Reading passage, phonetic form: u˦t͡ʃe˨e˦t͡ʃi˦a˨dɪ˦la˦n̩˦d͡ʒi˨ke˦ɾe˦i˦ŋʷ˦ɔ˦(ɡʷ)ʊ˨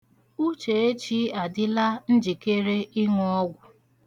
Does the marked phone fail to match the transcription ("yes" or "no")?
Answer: no